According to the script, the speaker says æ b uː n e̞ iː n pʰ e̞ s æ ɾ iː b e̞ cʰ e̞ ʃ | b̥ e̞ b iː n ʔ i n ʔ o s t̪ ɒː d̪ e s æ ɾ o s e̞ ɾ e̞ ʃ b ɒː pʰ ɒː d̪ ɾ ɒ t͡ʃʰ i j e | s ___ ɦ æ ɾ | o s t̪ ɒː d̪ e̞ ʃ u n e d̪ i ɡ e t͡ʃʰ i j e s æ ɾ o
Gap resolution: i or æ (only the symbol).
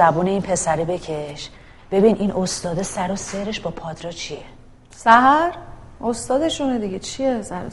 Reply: æ